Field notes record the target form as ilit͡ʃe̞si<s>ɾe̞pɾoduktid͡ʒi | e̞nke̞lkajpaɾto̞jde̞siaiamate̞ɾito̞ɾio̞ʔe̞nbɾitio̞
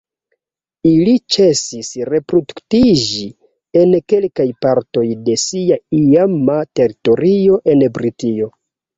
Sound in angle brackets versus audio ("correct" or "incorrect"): correct